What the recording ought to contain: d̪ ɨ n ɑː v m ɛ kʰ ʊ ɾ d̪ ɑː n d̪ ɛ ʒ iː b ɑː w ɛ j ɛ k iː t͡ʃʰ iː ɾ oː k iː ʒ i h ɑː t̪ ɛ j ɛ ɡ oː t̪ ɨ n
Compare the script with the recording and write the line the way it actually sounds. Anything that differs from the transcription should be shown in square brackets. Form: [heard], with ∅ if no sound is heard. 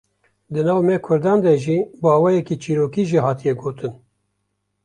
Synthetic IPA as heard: d̪ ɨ n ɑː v m ɛ kʰ ʊ ɾ d̪ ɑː n d̪ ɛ ʒ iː b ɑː w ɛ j ɛ k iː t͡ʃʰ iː ɾ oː k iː ʒ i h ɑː t̪ [i] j ɛ ɡ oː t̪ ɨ n